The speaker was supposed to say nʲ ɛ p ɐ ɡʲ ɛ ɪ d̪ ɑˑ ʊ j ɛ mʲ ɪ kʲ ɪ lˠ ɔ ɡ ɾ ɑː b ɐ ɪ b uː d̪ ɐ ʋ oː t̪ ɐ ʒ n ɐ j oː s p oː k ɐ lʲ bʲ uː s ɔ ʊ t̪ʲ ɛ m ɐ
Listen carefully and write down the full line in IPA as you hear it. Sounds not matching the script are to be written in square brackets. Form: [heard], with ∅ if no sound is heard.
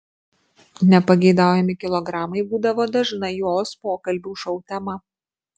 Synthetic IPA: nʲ ɛ p ɐ ɡʲ ɛ ɪ d̪ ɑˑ ʊ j ɛ mʲ ɪ kʲ ɪ lˠ ɔ ɡ ɾ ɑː [m] ɐ ɪ b uː d̪ ɐ ʋ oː [d̪] ɐ ʒ n ɐ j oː s p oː k ɐ lʲ bʲ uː [ʃ] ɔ ʊ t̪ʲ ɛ m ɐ